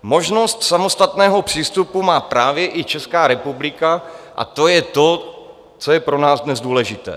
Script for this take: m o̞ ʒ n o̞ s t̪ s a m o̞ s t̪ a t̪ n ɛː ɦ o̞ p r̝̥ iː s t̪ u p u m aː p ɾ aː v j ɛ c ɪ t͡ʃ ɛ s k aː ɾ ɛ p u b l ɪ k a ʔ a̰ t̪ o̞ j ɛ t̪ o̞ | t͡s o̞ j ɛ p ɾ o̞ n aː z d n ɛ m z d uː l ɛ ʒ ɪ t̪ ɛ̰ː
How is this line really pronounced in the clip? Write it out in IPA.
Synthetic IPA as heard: m o̞ ʒ n o̞ s t̪ s a m o̞ s t̪ a t̪ n ɛː ɦ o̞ p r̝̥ iː s t̪ u p u m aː p ɾ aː v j ɛ ʔ ɪ t͡ʃ ɛ s k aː ɾ ɛ p u b l ɪ k a ʔ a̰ t̪ o̞ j ɛ t̪ o̞ | t͡s o̞ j ɛ p ɾ o̞ n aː z d n ɛ z d uː l ɛ ʒ ɪ t̪ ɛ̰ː